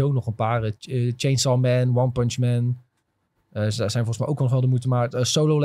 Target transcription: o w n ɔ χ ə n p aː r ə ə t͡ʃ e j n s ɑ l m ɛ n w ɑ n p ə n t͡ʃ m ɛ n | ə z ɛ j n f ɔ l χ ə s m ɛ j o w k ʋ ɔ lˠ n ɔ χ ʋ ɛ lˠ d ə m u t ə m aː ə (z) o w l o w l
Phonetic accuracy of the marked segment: incorrect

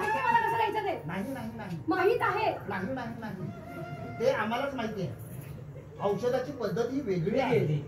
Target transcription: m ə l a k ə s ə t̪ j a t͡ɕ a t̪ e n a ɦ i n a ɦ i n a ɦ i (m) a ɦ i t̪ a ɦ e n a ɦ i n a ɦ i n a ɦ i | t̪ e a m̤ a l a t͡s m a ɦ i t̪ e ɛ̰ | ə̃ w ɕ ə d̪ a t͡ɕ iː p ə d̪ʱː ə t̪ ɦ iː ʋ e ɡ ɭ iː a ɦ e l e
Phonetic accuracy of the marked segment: correct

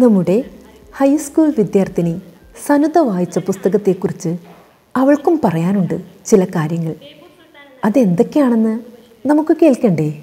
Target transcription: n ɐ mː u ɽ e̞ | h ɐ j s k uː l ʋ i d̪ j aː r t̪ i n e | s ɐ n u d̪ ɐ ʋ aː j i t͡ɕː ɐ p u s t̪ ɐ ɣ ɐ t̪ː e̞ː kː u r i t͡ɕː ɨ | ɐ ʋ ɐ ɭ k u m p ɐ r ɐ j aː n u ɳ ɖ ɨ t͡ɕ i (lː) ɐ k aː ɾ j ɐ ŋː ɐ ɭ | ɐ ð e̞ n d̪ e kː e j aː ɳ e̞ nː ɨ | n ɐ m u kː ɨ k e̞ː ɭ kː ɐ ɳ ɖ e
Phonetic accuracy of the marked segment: incorrect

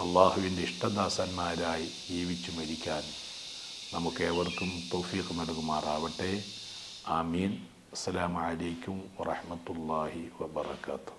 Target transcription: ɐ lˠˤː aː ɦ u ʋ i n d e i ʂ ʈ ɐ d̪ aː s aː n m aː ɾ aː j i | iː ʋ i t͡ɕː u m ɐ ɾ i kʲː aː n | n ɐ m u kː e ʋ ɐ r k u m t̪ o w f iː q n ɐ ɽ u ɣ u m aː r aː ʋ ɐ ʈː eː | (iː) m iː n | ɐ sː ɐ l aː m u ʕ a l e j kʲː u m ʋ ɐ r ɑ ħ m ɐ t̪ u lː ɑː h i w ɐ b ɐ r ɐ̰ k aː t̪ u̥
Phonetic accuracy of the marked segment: incorrect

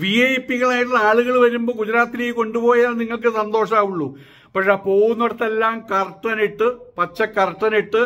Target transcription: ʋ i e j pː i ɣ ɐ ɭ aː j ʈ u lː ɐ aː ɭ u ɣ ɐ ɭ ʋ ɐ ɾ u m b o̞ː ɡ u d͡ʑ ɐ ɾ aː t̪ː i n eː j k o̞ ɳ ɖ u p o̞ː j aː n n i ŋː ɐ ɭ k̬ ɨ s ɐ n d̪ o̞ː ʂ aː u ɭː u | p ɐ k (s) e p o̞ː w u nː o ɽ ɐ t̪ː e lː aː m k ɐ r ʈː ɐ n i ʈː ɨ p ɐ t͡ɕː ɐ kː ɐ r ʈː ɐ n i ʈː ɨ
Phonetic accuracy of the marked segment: incorrect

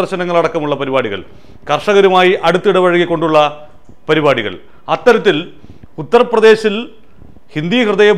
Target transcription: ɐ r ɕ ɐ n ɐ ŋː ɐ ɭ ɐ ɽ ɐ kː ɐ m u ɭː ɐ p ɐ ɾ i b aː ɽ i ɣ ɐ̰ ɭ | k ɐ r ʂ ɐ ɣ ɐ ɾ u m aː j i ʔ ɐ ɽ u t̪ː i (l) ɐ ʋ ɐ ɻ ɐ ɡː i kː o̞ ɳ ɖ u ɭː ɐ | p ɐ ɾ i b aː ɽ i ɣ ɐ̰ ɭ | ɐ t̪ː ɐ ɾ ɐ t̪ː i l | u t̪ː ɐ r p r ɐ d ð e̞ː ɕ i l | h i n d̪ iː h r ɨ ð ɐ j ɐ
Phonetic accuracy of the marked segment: incorrect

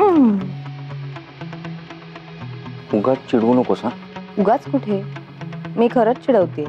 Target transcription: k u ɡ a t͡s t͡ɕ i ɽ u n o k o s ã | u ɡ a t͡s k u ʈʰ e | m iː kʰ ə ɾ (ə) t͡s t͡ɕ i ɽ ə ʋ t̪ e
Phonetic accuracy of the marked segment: correct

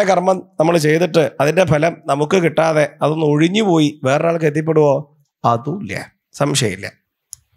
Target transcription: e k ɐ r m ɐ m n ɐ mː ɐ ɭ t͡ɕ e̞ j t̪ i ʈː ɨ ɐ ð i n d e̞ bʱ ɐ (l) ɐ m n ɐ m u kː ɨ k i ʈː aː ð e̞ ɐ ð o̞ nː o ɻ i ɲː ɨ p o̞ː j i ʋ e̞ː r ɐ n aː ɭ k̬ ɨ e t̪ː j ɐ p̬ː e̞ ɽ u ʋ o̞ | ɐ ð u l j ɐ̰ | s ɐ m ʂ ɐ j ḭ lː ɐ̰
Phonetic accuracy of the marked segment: correct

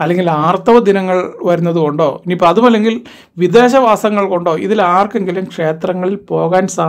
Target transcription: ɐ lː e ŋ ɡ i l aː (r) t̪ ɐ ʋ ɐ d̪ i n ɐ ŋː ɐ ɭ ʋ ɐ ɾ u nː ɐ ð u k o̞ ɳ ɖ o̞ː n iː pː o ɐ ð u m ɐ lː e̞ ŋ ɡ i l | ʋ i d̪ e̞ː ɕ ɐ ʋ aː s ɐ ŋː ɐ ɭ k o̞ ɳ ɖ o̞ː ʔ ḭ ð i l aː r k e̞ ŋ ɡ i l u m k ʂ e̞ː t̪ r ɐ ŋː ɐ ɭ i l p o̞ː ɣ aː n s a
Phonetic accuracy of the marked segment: correct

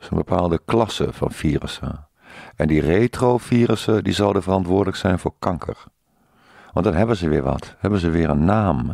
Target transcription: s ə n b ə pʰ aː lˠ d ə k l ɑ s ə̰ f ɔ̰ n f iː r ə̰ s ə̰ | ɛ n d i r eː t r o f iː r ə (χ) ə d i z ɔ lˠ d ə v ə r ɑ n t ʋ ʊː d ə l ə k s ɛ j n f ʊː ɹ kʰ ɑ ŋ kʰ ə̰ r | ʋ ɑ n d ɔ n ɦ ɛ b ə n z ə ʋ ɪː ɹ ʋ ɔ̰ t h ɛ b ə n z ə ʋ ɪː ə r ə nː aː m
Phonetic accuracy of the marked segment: incorrect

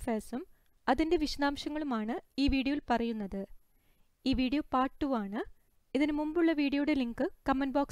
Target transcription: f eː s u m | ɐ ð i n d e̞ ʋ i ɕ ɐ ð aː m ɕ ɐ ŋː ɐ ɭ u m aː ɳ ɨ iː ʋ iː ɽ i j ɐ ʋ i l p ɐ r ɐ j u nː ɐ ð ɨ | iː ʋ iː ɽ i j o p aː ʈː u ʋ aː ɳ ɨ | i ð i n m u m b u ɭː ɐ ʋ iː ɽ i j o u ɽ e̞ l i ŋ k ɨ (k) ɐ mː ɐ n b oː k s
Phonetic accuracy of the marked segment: correct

